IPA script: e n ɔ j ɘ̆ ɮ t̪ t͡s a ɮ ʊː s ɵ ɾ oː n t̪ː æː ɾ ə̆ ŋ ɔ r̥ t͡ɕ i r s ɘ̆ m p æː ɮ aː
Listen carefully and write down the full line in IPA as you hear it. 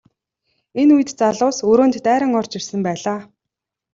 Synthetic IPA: e n u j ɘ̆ t̪ t͡s a ɮ ʊː s ɵ ɾ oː n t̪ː æː ɾ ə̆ ŋ ɔ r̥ t͡ɕ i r s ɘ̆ m p æː ɮ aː